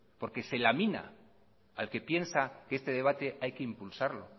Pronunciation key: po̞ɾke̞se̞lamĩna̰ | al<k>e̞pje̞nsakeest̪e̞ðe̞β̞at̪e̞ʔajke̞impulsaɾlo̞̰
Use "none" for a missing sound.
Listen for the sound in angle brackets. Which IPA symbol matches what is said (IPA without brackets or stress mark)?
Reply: k